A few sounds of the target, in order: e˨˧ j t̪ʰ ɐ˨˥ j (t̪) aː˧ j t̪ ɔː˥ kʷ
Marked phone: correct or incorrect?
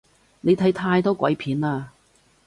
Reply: incorrect